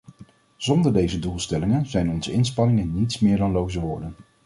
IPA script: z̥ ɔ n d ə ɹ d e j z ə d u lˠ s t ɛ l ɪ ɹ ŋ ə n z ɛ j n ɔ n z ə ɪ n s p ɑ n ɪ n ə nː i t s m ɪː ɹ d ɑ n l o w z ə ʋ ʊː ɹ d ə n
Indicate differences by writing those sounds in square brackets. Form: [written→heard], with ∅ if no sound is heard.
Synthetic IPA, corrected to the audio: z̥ ɔ n d ə ɹ d e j z ə d u lˠ s t ɛ l ɪ [ɹ→∅] ŋ ə n z ɛ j n ɔ n z ə ɪ n s p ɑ n ɪ [n→ŋ] ə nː i t s m ɪː ɹ d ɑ n l o w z ə ʋ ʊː ɹ d ə n